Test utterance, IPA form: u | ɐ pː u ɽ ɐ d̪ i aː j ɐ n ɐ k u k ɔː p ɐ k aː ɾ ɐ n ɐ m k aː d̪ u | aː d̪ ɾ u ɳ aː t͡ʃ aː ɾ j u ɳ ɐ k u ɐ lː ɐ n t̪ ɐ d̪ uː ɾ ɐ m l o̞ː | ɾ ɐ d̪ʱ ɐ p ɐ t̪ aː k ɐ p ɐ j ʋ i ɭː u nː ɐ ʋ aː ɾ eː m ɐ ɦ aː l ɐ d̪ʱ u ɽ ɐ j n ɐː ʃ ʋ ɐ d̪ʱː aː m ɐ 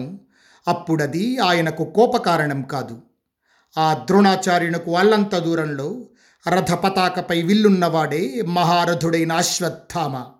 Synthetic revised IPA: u | ɐ pː u ɽ ɐ d̪ i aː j ɐ n ɐ k u k ɔː p ɐ k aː ɾ ɐ ɳ ɐ m k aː d̪ u | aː d̪ ɾ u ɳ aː t͡ʃ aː ɾ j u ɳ ɐ k u ɐ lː ɐ n t̪ ɐ d̪ uː ɾ ɐ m l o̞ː | ɾ ɐ d̪ʱ ɐ p ɐ t̪ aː k ɐ p ɐ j ʋ i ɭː u nː ɐ ʋ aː ɽ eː m ɐ ɦ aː ɾ ɐ d̪ʱ u ɽ ɐ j n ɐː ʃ ʋ ɐ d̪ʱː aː m ɐ